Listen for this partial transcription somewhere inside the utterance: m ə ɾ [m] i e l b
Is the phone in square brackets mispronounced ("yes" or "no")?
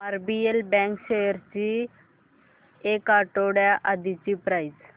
yes